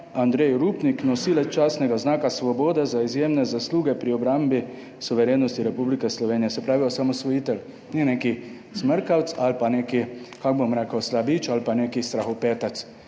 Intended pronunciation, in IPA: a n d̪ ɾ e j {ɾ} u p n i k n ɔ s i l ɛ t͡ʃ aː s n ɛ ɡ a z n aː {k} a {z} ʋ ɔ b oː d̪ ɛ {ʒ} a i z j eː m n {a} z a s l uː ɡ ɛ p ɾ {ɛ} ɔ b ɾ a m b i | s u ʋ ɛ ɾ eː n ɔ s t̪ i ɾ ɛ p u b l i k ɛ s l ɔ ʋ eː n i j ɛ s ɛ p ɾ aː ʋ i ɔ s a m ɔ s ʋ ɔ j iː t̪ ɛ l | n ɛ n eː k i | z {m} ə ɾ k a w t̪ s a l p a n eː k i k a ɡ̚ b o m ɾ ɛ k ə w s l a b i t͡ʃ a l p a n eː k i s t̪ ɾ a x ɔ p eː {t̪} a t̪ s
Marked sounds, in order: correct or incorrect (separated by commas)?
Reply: correct, correct, incorrect, incorrect, incorrect, incorrect, correct, correct